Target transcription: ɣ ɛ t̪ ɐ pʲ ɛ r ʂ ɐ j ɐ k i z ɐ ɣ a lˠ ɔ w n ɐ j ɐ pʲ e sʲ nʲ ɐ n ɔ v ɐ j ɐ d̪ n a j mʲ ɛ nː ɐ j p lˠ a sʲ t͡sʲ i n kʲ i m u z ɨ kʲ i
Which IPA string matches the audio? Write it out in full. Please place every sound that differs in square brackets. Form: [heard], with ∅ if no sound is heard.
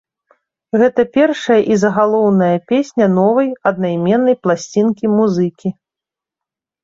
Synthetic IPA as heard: ɣ ɛ t̪ ɐ pʲ ɛ r ʂ ɐ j ɐ [ʔ] i z ɐ ɣ a lˠ ɔ w n ɐ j ɐ pʲ e sʲ nʲ ɐ n ɔ v ɐ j ɐ d̪ n a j mʲ ɛ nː ɐ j p lˠ a sʲ t͡sʲ i n kʲ i m u z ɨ kʲ i